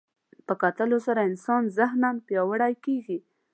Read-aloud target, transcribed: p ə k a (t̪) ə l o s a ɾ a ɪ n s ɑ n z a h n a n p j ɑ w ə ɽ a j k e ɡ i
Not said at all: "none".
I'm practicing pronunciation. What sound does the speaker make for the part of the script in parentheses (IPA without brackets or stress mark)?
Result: t̪